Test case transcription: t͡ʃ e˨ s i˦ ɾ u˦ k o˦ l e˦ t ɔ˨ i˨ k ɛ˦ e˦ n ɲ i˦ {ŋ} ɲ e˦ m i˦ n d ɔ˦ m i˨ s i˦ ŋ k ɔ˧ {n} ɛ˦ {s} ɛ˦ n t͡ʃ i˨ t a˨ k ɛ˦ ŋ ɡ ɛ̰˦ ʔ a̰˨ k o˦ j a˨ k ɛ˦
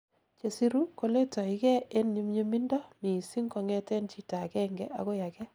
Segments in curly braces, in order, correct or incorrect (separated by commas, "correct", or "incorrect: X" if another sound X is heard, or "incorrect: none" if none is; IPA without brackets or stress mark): incorrect: m, incorrect: ŋ, incorrect: t